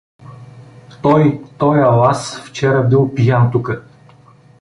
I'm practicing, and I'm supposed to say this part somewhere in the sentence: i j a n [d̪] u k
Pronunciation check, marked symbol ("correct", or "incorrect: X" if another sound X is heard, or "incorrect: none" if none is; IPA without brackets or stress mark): incorrect: t̪